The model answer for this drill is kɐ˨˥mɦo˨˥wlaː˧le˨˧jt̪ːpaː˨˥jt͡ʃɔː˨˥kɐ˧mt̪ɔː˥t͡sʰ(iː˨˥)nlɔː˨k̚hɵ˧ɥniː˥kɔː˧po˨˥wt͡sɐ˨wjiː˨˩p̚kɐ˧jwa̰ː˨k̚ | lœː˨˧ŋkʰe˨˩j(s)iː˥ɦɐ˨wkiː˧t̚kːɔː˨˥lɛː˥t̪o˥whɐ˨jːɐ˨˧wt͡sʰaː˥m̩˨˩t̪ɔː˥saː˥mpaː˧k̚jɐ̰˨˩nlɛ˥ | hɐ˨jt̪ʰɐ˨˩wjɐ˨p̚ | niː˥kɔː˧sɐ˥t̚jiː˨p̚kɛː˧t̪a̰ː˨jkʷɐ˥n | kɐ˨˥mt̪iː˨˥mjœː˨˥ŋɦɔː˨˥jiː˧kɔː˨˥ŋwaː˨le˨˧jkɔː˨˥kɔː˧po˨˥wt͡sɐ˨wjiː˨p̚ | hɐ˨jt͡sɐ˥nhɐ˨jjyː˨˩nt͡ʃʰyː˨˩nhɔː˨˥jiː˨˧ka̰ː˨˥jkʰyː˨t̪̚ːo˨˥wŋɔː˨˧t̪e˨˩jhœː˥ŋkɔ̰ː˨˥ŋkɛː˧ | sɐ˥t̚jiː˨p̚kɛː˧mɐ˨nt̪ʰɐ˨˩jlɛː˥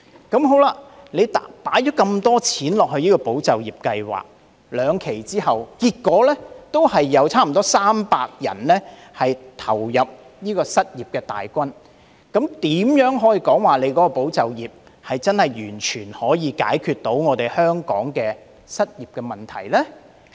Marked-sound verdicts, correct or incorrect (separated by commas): correct, incorrect